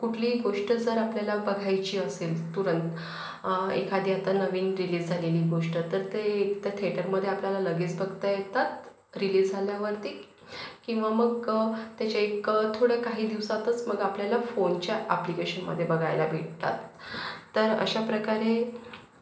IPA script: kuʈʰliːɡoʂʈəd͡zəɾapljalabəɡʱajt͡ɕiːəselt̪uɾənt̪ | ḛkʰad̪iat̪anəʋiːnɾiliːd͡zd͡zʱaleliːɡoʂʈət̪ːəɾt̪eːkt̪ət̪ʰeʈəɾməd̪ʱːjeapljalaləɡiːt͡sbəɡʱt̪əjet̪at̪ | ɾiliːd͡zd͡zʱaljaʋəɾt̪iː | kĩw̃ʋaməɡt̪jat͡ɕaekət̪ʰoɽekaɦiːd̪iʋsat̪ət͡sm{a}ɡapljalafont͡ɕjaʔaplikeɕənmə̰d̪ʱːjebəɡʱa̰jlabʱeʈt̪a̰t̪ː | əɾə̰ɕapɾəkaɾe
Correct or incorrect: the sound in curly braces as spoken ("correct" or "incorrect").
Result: incorrect